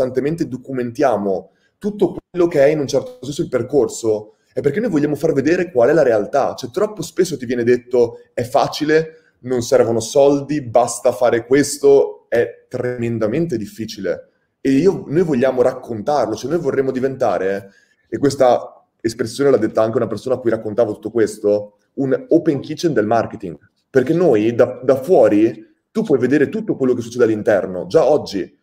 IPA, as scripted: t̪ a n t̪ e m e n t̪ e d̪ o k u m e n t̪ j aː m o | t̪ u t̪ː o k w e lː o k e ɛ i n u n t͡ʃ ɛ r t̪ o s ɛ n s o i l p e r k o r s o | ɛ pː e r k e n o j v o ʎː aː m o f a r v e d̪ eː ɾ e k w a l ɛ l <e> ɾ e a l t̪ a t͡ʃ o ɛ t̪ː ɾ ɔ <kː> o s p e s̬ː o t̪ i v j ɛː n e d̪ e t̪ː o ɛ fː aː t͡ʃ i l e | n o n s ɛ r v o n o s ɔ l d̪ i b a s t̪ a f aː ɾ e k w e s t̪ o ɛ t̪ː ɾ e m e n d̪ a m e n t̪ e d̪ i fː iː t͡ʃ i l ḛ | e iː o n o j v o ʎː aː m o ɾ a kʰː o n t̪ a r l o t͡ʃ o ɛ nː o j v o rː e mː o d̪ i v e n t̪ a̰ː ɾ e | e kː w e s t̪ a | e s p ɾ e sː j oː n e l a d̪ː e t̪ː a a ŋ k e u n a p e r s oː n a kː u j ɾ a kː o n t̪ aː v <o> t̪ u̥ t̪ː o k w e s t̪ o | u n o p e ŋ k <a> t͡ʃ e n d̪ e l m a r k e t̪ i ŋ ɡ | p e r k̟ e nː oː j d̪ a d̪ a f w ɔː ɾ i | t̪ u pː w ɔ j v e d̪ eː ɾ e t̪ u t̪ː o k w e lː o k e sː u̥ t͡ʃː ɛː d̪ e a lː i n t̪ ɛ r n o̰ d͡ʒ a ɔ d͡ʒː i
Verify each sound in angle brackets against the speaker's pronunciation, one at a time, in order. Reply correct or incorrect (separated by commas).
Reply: incorrect, incorrect, correct, incorrect